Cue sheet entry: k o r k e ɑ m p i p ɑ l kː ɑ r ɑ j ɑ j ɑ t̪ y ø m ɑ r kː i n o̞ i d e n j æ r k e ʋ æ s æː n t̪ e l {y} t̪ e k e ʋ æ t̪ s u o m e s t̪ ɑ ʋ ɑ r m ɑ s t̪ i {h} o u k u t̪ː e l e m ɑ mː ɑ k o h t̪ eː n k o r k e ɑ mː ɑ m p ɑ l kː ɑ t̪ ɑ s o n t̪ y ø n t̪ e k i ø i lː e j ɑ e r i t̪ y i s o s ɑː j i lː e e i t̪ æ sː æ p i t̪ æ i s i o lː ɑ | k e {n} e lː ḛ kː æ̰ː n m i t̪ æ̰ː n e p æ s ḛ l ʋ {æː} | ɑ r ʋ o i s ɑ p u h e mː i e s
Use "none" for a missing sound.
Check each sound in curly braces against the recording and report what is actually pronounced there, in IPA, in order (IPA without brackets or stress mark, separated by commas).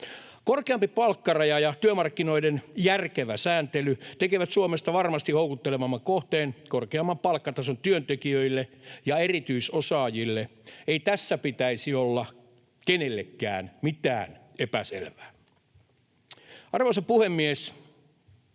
y, h, n, æː